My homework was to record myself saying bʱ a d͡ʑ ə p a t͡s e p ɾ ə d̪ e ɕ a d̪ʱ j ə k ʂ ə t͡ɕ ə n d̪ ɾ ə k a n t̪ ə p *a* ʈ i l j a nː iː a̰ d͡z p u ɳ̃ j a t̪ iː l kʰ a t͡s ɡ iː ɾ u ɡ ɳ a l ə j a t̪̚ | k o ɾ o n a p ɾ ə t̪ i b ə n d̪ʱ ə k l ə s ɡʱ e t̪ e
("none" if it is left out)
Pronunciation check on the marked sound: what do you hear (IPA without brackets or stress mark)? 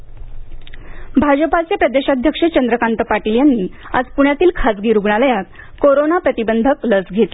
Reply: a